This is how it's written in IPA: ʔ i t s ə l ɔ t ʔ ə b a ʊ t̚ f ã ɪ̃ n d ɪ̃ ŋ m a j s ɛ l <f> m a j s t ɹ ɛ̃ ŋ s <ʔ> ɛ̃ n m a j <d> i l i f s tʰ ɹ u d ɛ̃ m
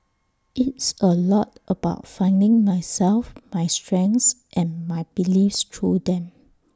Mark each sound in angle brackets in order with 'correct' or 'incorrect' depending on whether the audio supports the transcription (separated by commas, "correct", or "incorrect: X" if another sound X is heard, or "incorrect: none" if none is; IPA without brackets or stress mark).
correct, correct, incorrect: b